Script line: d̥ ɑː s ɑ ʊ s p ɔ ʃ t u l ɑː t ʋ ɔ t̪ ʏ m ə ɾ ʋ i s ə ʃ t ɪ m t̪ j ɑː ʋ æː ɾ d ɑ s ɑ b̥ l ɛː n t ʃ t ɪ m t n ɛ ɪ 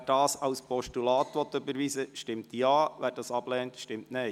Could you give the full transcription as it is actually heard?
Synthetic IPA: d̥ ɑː s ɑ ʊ s p ɔ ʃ t u l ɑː t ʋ ɔ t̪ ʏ b ə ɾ ʋ i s ə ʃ t ɪ m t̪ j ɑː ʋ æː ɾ d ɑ s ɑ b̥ l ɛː n t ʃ t ɪ m t n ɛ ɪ

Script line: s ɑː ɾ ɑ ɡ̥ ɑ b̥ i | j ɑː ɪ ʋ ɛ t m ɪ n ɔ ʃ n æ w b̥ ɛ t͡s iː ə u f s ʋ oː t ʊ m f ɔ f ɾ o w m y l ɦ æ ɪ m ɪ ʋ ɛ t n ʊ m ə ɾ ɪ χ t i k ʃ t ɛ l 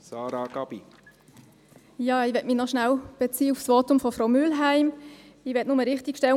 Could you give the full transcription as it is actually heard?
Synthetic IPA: s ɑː ɾ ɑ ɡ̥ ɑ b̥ i | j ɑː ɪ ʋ ɛ t m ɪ n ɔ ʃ n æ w b̥ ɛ t͡s iː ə u f s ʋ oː t ʊ m f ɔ f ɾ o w m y l ɦ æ ɪ m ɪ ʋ ɛ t n ʊ m ə ɾ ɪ χ t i k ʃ t ɛ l

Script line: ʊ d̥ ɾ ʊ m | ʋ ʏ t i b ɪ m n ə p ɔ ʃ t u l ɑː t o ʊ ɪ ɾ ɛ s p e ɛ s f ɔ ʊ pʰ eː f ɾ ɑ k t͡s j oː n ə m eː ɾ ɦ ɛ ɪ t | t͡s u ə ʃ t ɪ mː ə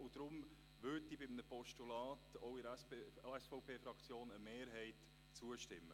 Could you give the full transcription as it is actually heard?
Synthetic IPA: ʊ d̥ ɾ ʊ m | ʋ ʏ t i b ɪ m n ə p ɔ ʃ t u l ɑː t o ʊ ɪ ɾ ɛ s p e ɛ s f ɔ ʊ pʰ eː f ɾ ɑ k t͡s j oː n ə m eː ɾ ɦ ɛ ɪ t | t͡s u ə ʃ t ɪ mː ə

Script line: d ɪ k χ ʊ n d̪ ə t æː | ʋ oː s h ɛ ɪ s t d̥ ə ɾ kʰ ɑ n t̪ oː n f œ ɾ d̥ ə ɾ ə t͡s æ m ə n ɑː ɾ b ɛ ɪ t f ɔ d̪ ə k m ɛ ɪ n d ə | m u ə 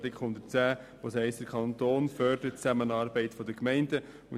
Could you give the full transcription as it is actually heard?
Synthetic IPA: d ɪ k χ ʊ n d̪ ə t͡s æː | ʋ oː s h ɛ ɪ s t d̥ ə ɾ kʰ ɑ n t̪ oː n f œ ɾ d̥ ə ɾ ə t͡s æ m ə n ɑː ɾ b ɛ ɪ t f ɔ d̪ ə k m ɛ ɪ n d ə | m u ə

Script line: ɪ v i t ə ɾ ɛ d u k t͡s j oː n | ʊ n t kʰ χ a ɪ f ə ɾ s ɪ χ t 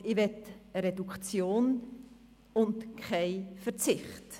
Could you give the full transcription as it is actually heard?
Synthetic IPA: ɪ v ɛ t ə ɾ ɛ d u k t͡s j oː n | ʊ n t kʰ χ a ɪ f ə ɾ t͡s ɪ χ t

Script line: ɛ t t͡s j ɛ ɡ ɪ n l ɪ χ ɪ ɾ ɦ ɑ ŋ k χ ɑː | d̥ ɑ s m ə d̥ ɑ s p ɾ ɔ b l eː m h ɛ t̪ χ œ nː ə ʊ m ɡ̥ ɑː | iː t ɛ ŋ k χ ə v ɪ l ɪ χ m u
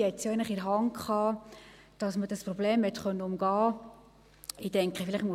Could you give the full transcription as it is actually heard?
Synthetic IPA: ɛ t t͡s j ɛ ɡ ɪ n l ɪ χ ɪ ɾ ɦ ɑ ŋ k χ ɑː | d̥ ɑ s m ə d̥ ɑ s p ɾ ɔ b l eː m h ɛ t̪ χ œ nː ə ʊ m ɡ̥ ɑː | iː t ɛ ŋ k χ ə f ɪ l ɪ χ m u

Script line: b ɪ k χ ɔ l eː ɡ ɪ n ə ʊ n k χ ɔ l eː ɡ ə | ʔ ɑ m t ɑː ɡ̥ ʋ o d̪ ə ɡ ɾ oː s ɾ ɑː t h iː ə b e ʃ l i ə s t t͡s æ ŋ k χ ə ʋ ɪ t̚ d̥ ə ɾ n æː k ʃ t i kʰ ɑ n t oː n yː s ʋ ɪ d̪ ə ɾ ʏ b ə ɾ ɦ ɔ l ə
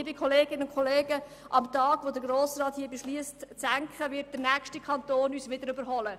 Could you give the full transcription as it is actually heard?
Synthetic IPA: b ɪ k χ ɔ l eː ɡ ɪ n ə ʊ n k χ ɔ l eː ɡ ə | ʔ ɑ m t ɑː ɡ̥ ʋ o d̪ ə ɡ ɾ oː s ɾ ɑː t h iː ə b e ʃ l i ə s t t͡s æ ŋ k χ ə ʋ ɪ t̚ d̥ ə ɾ n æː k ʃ t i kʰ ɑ n t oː n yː s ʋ ɪ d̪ ə ɾ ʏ b ə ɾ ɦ ɔ l ə

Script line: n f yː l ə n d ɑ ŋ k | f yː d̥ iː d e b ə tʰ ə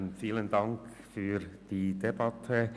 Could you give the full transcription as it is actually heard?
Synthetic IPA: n f iː l ə n d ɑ ŋ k | f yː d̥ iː d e b ɑ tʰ ə

